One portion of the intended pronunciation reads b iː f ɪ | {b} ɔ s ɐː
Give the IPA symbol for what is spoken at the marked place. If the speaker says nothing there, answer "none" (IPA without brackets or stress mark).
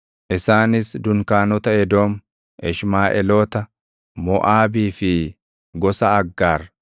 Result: ɡ